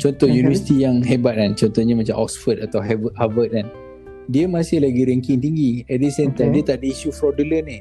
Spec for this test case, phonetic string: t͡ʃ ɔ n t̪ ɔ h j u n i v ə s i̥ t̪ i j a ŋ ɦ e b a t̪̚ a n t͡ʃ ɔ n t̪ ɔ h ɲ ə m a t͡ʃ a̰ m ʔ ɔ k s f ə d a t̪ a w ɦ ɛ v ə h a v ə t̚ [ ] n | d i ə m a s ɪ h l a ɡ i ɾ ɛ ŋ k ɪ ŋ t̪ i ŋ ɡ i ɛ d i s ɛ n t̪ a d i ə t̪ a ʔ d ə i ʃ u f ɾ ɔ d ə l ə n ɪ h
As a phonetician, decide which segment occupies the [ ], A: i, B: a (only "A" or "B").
B